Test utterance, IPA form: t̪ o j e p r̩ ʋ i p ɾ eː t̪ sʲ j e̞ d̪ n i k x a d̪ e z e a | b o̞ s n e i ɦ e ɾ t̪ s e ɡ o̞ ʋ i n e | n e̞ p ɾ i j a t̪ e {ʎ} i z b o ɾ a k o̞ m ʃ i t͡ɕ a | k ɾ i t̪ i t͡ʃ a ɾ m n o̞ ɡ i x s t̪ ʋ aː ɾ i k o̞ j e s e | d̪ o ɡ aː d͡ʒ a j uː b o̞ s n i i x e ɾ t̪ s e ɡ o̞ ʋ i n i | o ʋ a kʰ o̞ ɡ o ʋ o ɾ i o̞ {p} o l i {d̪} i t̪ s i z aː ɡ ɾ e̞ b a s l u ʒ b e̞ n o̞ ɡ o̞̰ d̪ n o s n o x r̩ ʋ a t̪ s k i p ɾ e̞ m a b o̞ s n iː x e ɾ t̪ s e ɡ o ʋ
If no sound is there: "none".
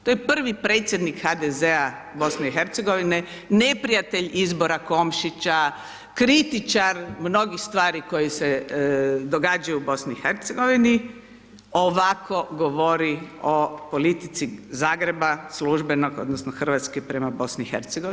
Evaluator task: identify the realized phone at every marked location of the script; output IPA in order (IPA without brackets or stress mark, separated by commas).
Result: ʎ, p, t̪